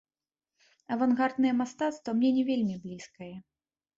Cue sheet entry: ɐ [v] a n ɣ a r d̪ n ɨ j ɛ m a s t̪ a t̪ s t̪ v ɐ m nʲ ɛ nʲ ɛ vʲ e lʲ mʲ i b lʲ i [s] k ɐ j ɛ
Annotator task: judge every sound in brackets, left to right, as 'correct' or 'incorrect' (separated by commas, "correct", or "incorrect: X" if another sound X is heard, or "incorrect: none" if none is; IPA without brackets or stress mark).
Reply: correct, correct